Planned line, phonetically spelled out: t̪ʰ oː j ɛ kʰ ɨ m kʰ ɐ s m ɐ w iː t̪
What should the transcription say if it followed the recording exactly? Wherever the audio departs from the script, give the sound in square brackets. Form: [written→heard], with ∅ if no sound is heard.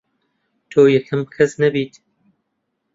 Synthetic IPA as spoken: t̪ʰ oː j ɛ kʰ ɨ m kʰ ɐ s [m→n] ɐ [w→b] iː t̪